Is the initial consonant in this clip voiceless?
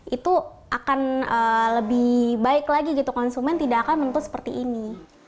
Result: yes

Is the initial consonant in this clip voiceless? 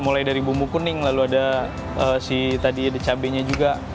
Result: no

